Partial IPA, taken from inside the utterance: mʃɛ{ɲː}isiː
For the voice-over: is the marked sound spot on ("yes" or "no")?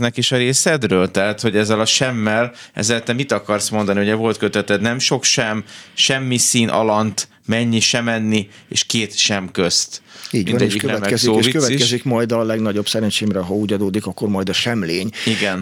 no